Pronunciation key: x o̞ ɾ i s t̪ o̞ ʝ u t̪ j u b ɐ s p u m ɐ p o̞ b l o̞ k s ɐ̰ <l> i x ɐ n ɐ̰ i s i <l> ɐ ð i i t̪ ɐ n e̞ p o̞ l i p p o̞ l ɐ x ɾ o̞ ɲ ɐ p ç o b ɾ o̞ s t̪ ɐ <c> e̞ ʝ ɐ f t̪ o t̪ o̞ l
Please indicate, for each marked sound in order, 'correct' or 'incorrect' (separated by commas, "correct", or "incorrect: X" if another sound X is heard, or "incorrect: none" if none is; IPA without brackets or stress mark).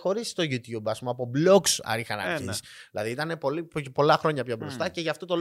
incorrect: ɾ, correct, correct